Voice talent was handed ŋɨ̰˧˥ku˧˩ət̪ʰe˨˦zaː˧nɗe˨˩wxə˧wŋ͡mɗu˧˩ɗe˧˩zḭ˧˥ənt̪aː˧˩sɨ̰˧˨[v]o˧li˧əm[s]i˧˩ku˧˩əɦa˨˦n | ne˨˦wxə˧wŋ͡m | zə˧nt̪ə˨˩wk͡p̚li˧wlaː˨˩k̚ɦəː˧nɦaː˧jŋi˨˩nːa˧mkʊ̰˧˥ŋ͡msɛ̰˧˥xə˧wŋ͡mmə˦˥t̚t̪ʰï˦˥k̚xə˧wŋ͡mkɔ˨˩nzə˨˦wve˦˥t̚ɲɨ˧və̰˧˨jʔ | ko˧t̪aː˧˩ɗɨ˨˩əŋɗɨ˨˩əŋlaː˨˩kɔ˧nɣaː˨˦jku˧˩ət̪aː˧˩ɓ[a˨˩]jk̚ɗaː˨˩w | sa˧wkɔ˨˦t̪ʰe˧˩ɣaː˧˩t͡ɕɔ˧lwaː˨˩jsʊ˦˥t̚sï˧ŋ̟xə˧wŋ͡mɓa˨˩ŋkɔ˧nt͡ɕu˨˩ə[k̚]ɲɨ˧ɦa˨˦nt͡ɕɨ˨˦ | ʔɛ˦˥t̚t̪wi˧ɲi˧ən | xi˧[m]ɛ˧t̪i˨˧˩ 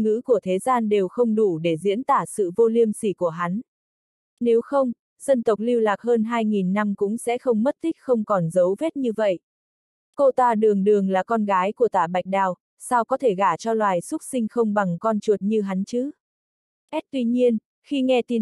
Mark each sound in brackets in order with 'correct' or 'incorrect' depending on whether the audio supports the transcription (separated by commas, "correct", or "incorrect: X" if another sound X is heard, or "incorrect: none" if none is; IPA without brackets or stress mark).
correct, correct, correct, incorrect: t̚, incorrect: ŋ